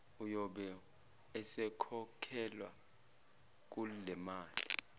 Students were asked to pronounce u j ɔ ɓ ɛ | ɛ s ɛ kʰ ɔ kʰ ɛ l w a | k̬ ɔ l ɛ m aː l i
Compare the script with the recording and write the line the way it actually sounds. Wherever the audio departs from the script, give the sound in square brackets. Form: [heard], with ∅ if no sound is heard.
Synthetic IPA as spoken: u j ɔ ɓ ɛ | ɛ s ɛ kʰ ɔ kʰ ɛ l w a | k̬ [u] l ɛ m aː l i